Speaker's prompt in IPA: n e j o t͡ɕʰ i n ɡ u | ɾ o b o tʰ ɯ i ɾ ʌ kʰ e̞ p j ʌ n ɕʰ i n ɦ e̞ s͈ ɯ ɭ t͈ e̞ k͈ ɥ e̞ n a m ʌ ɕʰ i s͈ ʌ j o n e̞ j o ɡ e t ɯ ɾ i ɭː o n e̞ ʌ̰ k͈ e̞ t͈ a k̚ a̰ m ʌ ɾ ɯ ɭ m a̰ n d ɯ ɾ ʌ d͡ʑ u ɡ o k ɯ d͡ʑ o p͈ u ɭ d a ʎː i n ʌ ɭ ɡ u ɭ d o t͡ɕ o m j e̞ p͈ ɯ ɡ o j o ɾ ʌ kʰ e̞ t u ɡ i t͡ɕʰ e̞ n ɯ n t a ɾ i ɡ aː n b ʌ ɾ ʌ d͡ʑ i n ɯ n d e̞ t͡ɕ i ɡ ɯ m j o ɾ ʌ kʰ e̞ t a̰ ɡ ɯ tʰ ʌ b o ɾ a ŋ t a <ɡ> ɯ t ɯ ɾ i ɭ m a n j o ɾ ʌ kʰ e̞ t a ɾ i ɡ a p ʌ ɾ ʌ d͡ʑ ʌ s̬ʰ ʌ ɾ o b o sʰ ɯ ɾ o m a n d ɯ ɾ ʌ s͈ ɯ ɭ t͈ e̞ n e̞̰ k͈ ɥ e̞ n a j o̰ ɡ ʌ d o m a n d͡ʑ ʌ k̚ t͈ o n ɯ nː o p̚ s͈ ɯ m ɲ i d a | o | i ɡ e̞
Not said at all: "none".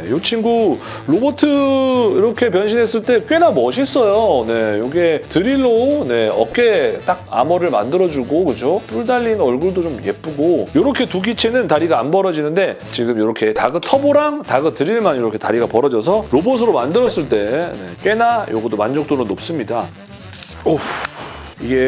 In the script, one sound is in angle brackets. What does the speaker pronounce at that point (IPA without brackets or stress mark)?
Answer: ɡ